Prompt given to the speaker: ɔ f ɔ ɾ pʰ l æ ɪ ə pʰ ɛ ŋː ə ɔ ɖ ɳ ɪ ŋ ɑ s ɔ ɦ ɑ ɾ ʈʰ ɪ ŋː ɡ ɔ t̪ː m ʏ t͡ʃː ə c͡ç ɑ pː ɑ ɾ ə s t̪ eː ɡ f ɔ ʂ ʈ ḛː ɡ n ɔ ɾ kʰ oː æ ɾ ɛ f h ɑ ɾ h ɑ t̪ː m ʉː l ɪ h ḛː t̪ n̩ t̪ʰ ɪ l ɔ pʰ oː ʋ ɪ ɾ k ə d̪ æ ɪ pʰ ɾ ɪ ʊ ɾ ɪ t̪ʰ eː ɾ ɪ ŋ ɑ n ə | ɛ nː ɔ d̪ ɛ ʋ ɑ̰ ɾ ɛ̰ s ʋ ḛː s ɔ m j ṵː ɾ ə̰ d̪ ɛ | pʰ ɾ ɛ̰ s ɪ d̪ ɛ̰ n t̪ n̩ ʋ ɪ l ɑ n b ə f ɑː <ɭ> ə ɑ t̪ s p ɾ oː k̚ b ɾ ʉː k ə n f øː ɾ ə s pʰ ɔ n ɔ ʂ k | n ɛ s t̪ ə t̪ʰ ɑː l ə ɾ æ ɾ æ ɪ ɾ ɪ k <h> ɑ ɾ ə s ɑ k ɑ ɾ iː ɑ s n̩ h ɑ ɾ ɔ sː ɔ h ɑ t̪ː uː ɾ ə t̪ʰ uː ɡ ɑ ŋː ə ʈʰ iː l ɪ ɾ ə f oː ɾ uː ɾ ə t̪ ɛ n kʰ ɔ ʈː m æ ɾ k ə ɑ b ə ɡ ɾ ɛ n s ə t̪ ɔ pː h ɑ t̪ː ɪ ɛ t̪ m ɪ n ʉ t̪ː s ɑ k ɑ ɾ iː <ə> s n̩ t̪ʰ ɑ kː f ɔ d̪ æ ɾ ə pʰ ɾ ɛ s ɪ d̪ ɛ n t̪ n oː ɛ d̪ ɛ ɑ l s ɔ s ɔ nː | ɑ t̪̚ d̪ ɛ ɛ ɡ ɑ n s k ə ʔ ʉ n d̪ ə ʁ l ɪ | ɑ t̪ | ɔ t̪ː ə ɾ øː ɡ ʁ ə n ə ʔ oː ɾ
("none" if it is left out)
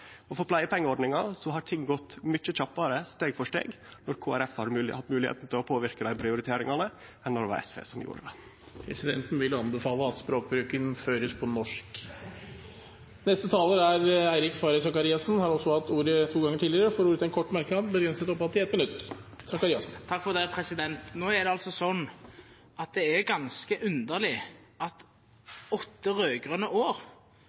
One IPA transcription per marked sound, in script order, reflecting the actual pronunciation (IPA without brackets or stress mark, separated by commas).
l, f, ɑ